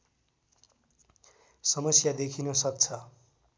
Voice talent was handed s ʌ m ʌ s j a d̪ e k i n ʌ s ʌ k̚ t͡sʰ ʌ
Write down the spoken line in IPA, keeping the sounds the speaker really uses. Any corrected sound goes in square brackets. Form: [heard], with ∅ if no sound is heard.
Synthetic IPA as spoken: s ʌ m ʌ s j a d̪ e [kʰ] i n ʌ s ʌ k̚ t͡sʰ ʌ